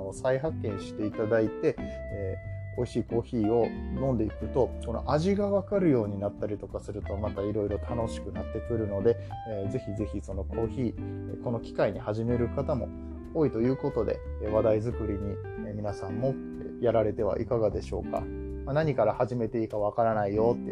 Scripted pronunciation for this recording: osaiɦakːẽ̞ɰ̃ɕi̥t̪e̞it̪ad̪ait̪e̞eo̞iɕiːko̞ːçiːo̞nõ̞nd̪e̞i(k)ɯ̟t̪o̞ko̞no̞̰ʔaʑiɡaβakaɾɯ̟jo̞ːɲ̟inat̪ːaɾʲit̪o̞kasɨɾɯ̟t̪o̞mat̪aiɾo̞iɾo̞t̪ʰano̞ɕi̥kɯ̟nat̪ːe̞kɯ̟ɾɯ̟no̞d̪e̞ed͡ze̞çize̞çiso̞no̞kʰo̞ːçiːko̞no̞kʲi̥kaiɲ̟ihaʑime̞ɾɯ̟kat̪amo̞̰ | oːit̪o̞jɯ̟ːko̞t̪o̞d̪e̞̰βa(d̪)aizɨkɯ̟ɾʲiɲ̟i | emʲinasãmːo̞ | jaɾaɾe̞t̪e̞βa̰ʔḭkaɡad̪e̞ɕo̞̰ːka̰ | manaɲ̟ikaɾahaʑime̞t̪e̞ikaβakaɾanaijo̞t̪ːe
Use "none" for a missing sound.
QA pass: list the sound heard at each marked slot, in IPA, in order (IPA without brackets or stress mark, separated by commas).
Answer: k, d̪